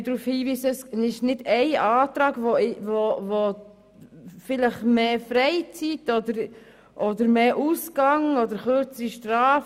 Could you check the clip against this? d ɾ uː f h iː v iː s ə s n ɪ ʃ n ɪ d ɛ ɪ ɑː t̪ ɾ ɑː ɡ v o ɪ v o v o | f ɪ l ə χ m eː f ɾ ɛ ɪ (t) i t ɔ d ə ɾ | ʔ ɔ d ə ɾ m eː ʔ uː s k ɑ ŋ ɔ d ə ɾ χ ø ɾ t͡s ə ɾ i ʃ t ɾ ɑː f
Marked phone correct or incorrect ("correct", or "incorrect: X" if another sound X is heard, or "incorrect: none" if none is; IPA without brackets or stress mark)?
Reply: incorrect: t͡s